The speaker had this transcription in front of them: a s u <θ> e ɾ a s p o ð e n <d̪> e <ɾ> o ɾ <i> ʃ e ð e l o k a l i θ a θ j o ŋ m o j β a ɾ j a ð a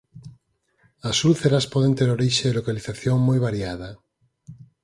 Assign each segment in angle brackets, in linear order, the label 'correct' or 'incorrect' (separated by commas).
correct, incorrect, correct, correct